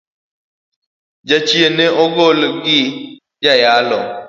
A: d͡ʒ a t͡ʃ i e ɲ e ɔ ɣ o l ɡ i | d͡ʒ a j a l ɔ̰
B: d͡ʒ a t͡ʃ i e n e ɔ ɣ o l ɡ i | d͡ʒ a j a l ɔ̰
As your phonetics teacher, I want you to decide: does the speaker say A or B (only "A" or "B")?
B